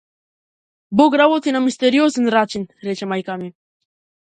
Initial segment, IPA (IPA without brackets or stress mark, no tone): b